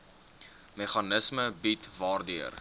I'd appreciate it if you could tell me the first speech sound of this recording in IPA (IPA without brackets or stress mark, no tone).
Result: m